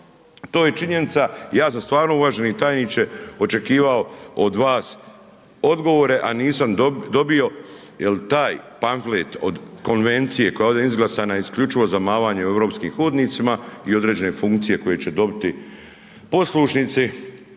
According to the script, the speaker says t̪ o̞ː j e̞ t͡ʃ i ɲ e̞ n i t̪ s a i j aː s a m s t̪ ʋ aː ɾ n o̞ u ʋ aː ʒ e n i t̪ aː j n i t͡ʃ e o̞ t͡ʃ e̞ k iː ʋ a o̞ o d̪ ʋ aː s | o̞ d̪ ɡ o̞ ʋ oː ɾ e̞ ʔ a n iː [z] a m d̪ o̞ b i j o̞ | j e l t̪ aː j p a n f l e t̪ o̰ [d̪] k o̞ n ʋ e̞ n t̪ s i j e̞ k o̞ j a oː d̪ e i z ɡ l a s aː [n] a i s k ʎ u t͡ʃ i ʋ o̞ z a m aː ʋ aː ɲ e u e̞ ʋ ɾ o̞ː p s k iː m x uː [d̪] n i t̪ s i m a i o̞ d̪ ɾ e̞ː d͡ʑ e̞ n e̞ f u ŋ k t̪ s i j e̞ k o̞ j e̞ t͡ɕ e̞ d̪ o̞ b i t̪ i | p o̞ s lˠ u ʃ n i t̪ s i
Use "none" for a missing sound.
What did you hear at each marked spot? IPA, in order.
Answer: s, d̪, n, d̪

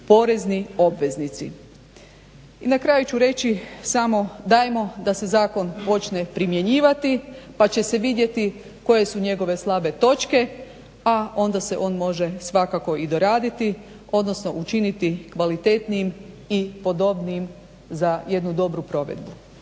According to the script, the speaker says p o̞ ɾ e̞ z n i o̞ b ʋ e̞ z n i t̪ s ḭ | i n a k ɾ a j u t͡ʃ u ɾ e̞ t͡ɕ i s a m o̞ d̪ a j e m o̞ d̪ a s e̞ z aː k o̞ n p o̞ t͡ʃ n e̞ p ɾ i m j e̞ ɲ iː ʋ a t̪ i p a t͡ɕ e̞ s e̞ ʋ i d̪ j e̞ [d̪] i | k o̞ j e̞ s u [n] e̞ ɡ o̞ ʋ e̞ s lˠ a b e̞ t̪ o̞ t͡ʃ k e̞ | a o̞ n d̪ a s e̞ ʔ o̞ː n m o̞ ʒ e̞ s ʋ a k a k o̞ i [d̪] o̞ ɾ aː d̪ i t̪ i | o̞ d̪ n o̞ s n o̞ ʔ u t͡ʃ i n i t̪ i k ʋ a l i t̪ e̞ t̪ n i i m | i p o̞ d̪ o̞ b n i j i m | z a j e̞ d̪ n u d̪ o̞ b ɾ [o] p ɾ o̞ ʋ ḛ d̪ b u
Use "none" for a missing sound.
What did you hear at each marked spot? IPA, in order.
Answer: t̪, ɲ, d̪, u

